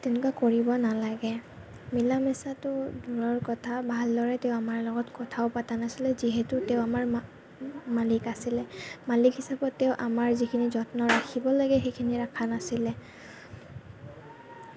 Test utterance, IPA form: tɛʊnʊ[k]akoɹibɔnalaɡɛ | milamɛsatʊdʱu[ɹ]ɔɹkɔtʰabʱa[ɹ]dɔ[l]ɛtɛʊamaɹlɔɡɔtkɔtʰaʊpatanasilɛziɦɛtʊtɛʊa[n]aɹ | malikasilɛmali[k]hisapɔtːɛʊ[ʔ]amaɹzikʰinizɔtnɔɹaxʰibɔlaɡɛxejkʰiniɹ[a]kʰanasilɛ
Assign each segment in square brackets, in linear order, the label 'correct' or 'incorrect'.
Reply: correct, correct, incorrect, incorrect, incorrect, correct, correct, correct

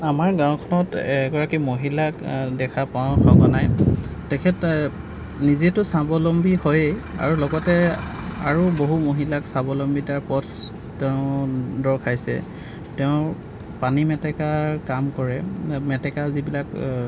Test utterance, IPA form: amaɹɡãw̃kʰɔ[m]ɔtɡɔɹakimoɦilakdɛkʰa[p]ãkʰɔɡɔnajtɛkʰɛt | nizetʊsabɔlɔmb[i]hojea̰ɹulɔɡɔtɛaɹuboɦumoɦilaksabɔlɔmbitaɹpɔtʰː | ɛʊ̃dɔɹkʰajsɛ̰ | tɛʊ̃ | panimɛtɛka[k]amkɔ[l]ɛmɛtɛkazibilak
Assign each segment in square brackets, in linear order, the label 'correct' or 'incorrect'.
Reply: incorrect, correct, correct, correct, incorrect

